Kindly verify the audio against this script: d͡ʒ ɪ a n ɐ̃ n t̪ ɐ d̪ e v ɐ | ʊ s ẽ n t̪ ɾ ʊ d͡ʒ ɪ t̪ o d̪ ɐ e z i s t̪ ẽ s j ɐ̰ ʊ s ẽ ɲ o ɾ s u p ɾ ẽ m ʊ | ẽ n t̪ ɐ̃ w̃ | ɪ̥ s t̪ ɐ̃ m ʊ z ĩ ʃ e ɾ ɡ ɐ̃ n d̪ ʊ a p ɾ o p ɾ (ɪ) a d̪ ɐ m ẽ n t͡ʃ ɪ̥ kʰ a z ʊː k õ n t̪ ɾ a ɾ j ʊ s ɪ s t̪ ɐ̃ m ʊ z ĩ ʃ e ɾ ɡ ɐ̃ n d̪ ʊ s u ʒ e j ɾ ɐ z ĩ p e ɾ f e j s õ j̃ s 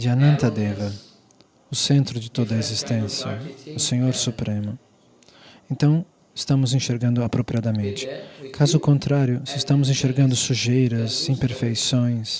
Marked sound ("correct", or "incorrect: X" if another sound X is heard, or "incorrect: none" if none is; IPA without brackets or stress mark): incorrect: i